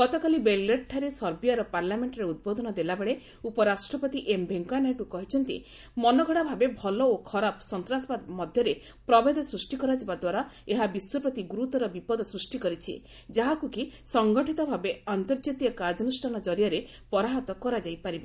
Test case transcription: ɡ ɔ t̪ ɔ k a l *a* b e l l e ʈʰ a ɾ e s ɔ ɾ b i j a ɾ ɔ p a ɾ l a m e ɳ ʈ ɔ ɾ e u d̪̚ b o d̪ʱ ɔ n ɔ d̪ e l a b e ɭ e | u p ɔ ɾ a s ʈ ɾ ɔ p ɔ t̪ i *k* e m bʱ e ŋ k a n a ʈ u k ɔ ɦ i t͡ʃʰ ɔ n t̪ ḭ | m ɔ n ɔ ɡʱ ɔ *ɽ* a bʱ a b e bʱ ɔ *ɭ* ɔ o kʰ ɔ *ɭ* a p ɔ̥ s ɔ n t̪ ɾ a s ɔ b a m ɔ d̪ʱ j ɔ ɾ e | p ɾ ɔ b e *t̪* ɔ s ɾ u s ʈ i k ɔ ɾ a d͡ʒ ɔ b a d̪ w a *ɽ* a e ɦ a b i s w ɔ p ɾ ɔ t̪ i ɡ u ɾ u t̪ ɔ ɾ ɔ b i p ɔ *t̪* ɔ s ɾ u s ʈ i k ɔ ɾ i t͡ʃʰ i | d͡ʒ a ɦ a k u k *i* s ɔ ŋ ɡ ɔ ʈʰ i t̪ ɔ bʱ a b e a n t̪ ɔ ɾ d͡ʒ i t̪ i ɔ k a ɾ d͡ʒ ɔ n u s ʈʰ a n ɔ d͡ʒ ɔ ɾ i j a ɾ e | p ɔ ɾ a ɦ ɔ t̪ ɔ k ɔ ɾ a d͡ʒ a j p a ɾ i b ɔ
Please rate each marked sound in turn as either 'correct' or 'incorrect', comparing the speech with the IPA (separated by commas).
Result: incorrect, incorrect, correct, incorrect, incorrect, incorrect, incorrect, incorrect, correct